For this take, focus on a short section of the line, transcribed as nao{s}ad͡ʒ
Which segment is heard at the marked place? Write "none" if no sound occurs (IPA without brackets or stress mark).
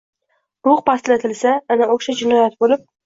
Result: ʃ